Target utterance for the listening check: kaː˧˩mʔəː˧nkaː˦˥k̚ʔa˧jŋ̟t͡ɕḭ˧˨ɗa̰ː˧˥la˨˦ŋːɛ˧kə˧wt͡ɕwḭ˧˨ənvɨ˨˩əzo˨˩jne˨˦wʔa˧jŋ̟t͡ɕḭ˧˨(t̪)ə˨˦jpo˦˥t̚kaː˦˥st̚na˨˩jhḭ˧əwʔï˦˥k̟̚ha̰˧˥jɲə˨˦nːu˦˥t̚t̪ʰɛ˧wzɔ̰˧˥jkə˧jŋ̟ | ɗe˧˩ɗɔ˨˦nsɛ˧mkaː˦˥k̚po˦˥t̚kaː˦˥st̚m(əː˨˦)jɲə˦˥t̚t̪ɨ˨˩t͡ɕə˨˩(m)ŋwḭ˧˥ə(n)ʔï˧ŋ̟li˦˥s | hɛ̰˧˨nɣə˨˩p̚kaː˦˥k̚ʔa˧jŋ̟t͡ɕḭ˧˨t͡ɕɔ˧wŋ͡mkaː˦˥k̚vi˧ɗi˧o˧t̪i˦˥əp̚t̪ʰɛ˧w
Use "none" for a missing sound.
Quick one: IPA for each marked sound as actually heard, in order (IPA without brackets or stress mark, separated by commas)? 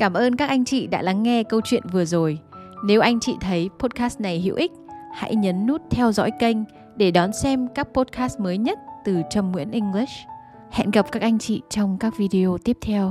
t̪ʰ, əː˨˦, m, n